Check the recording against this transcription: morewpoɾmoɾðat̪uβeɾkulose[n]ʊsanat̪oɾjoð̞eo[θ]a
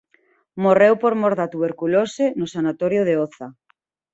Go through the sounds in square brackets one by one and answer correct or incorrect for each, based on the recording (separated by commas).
correct, correct